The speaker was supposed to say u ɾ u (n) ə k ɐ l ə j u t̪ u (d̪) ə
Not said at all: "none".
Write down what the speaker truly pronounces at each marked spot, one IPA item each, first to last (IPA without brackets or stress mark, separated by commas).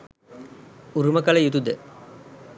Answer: m, d̪